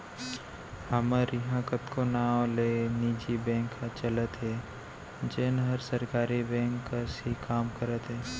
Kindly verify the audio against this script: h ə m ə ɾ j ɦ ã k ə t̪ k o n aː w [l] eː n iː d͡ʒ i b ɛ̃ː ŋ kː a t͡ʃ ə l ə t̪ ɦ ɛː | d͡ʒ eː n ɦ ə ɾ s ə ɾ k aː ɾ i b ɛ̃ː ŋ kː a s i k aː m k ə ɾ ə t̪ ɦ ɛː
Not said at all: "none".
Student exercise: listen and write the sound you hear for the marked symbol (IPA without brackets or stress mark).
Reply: l